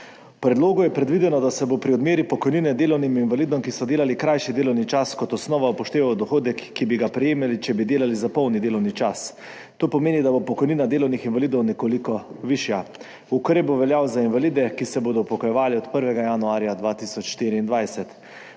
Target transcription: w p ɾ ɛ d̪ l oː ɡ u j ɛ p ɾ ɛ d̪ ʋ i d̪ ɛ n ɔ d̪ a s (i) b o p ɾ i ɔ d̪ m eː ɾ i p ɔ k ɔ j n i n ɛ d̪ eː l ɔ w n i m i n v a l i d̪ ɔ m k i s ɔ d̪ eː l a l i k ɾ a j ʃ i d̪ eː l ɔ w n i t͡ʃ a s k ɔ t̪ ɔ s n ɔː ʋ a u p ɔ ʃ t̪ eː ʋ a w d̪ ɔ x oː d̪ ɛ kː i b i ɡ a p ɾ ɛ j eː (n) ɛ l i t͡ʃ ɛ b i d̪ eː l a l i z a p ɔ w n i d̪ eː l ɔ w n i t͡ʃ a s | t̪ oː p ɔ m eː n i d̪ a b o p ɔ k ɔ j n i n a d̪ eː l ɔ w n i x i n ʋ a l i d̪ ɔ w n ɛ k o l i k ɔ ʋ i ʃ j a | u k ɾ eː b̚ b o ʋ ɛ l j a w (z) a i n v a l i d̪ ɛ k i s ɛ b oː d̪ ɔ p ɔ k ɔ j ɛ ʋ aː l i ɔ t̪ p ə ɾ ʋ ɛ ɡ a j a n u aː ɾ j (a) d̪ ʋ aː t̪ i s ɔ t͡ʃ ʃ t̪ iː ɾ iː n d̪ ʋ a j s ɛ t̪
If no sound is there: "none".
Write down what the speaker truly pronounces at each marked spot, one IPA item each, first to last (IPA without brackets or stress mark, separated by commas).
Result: ɛ, m, z, a